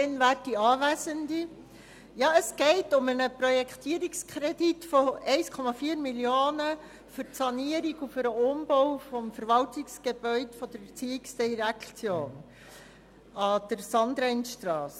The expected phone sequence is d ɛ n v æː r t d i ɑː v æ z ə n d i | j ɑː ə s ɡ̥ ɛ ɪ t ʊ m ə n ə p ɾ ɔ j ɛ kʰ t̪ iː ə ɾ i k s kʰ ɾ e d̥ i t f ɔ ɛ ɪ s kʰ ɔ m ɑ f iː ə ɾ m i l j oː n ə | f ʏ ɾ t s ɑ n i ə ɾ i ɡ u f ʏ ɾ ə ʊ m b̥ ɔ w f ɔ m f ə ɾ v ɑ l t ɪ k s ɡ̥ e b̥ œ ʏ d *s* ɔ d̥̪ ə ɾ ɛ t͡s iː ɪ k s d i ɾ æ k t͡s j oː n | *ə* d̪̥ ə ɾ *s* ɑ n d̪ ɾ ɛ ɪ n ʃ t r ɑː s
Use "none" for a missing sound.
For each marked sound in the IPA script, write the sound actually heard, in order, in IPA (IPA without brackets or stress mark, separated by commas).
f, ɑ, s